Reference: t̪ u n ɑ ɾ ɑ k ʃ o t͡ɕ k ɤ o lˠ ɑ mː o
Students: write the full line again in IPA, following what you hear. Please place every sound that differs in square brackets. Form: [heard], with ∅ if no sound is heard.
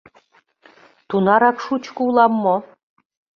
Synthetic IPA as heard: t̪ u n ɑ ɾ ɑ k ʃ [u] t͡ɕ k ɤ [u] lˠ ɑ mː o

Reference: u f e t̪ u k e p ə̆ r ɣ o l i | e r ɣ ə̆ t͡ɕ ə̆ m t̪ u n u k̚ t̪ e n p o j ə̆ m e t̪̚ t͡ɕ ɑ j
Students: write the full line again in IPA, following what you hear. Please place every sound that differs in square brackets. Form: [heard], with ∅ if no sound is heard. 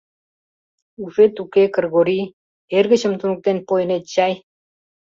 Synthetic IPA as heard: u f e t̪ u k e [k] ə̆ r ɣ o [ɾ] i | e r ɣ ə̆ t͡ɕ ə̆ m t̪ u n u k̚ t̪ e n p o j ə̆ [n] e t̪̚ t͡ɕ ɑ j

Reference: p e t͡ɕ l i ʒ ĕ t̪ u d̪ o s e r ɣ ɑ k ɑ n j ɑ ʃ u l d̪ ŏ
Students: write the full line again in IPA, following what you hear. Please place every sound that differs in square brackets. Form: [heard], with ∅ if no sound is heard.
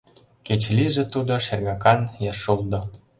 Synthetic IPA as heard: [k] e t͡ɕ l i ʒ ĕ t̪ u d̪ o [ʃ] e r ɣ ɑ k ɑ n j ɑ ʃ u l d̪ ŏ

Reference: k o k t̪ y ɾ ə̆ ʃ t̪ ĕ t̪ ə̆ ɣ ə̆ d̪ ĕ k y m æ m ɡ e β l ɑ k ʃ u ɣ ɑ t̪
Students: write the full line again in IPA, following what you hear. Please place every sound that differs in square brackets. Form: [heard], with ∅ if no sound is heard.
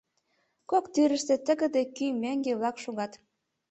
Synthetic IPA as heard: k o k t̪ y ɾ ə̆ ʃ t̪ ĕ t̪ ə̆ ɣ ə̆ d̪ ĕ k y m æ [ŋ] ɡ e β l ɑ k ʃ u ɣ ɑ t̪

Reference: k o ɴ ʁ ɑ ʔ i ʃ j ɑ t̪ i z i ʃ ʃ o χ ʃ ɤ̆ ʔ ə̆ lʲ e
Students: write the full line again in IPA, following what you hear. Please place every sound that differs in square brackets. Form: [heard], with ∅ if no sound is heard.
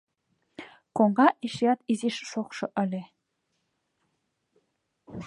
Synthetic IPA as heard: k o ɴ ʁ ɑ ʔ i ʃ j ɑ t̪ i z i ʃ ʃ o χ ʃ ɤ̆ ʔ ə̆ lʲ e

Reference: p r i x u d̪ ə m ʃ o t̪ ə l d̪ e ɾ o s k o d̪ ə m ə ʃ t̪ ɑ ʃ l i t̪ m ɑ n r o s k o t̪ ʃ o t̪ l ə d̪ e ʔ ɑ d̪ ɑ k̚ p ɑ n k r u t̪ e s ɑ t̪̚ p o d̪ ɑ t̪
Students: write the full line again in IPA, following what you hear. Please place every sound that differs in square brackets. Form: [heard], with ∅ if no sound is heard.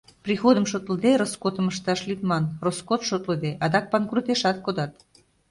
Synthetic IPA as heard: p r i x [o] d̪ ə m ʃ o t̪ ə l d̪ e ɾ o s k o [t̪] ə m ə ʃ t̪ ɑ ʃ l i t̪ m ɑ n r o s k o t̪ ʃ o t̪ l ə d̪ e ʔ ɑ d̪ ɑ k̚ p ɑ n k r u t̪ e [ʃ] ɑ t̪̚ [k] o d̪ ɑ t̪

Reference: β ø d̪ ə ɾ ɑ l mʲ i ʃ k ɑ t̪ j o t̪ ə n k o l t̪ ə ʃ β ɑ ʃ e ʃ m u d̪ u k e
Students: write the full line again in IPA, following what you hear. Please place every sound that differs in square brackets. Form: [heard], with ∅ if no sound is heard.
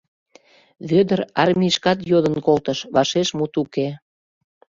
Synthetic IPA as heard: β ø d̪ ə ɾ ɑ [r] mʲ i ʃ k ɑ t̪ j o [d̪] ə n k o l t̪ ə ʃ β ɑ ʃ e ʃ m u [t̪] u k e

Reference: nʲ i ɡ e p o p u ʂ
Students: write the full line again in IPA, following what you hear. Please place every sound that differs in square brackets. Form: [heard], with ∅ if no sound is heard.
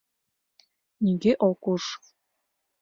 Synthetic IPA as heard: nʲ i ɡ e [ʔ] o [k] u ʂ

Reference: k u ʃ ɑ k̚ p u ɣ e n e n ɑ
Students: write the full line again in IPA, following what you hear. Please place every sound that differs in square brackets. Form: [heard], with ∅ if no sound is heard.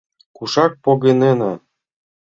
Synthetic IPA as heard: k u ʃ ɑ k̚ p [o] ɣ e n e n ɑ

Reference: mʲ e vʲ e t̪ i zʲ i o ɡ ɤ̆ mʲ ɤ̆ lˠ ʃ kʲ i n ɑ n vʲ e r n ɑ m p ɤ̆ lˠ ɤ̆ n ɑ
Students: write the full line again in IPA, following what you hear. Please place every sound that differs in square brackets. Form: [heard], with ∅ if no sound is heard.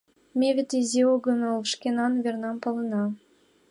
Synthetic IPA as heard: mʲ e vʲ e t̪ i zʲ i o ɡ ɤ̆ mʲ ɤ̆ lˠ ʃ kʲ [e] n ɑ n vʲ e r n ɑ m p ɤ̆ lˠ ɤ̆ n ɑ

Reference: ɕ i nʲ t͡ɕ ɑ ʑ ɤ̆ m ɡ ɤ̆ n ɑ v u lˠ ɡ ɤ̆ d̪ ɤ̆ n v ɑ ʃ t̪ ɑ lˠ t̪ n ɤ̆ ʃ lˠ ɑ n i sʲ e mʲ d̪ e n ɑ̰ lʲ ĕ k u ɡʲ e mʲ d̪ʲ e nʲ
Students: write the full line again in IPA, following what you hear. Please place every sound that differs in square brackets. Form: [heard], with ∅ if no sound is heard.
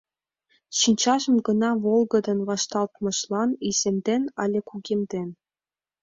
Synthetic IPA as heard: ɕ i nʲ t͡ɕ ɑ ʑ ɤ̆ m ɡ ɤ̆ n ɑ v [o] lˠ ɡ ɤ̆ d̪ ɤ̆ n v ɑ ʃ t̪ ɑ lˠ t̪ [m] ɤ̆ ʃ lˠ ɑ n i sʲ e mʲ d̪ e n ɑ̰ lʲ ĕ k u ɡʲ e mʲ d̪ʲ e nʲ

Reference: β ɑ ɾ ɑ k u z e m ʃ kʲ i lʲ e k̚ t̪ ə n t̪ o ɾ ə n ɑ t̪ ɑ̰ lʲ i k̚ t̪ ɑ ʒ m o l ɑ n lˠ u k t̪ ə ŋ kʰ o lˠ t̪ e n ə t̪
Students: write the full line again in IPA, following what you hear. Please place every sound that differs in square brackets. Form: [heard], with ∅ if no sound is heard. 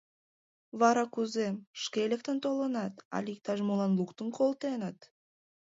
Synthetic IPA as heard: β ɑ ɾ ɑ k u z e m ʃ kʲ [e] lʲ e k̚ t̪ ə n t̪ o [l] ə n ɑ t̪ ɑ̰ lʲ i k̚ t̪ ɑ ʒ m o l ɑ n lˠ u k t̪ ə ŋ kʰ o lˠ t̪ e n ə t̪

